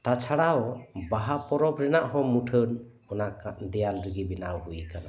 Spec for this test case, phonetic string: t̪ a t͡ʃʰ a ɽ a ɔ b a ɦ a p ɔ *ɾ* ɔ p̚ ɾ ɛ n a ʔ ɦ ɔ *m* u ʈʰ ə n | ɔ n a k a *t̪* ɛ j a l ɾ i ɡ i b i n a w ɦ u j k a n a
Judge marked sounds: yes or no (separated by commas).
yes, yes, no